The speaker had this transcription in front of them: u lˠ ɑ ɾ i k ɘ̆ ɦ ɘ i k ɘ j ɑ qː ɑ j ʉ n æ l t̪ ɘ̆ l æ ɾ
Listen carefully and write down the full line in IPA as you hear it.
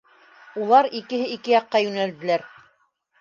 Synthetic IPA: u lˠ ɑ ɾ i k ɘ̆ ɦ ɘ i k ɘ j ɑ qː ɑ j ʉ n æ l d̪ ɘ̆ l æ ɾ